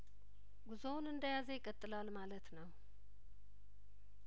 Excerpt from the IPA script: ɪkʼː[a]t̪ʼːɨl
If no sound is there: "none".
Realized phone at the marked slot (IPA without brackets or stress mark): ə